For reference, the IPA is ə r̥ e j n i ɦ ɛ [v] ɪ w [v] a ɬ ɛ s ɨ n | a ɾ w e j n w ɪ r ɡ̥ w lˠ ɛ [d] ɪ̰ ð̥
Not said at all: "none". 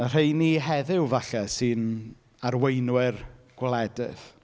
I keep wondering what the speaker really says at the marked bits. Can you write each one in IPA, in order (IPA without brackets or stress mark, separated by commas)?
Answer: ð, v, d